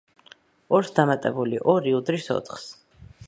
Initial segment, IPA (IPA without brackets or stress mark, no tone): ɔ